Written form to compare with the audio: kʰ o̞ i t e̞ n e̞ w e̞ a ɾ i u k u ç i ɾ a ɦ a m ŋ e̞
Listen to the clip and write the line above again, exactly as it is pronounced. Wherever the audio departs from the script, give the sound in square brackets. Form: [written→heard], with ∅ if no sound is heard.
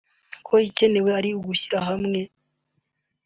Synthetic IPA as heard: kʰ o̞ i [t→c] e̞ n e̞ w e̞ a ɾ i u [k→ɡ] u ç i ɾ a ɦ a m ŋ e̞